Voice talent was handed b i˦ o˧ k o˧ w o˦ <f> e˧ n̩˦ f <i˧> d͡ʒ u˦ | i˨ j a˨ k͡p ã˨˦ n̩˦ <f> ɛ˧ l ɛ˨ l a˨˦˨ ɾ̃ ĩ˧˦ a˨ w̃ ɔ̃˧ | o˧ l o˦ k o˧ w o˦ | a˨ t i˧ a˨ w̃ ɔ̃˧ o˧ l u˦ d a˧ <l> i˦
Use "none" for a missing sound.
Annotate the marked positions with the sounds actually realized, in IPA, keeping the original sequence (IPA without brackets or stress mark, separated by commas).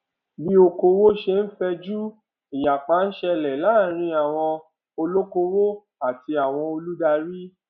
ʃ, ɛ˧, ʃ, ɾ